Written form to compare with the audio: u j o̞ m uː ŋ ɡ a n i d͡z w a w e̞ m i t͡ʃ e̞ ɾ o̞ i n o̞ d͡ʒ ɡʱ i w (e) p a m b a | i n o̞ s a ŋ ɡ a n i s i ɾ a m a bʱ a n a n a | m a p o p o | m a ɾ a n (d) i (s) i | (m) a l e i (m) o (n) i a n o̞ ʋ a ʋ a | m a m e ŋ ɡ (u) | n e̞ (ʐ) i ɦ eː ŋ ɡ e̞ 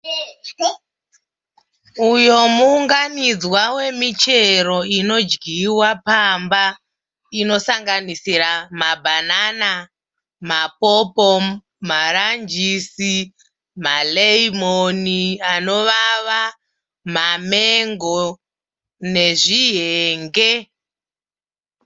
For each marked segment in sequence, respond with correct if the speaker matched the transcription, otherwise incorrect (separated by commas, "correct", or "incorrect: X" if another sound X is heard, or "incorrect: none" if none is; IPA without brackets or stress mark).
incorrect: a, incorrect: d͡ʒ, correct, correct, correct, correct, incorrect: o, correct